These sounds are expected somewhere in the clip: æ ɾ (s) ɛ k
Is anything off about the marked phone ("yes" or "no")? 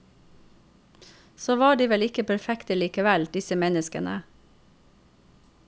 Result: yes